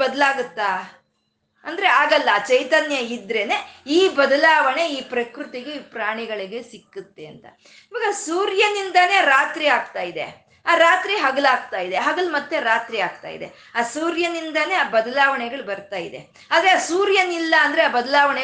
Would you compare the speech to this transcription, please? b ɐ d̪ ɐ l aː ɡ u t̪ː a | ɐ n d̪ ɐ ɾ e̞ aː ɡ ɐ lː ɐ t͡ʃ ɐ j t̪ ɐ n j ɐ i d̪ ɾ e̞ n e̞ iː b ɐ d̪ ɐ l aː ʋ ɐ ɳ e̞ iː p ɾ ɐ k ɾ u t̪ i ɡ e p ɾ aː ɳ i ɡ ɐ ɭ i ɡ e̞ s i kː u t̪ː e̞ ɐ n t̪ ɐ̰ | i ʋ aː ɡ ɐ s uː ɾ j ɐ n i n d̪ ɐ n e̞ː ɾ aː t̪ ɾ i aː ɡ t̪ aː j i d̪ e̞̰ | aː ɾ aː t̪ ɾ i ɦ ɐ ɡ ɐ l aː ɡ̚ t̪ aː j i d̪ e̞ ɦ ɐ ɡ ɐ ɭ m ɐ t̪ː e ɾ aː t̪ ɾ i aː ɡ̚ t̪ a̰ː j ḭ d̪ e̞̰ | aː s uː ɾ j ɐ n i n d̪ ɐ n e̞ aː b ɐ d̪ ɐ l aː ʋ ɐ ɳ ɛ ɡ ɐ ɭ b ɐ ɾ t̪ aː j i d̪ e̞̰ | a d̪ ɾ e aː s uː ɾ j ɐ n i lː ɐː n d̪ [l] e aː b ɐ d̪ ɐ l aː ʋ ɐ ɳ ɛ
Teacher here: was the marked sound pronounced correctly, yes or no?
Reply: no